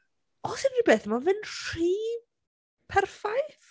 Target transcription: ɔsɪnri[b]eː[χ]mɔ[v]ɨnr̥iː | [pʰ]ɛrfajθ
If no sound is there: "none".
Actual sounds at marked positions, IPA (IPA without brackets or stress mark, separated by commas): b, θ, v, pʰ